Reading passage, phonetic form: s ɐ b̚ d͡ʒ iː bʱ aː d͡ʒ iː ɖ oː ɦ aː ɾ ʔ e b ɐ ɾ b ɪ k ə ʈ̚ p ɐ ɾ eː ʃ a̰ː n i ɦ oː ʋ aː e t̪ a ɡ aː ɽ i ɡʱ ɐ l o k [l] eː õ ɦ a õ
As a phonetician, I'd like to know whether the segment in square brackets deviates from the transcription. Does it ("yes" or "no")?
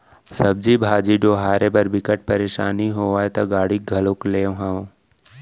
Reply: no